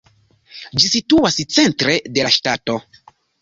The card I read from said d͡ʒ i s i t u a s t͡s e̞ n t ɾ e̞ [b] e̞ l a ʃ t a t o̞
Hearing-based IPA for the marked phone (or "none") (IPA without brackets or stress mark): d